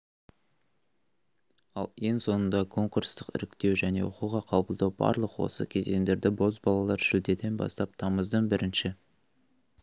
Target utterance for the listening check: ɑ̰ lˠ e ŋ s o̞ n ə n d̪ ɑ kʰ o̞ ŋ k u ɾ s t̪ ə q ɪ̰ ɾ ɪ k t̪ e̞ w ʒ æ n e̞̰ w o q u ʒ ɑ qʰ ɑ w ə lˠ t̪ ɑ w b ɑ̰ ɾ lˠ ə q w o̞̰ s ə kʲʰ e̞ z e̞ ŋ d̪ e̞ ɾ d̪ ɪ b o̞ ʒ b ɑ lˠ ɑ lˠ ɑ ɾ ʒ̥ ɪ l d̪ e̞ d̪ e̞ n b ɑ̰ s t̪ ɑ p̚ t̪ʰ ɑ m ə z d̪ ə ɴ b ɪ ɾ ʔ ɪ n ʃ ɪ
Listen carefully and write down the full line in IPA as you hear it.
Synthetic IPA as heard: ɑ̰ lˠ e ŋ s o̞ n ə n d̪ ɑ kʰ o̞ ŋ k u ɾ s t̪ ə q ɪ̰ ɾ ɪ k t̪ e̞ w ʒ æ n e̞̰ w o q u ʁ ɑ qʰ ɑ b ə lˠ d̪ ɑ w b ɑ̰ ɾ lˠ ə q w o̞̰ s ə kʲʰ e̞ z e̞ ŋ d̪ e̞ ɾ d̪ ɪ b o̞ z b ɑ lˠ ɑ lˠ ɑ ɾ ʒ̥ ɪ l d̪ e̞ d̪ e̞ n b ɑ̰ s t̪ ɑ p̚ t̪ʰ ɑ m ə z d̪ ə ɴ b ɪ ɾ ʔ ɪ n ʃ ɪ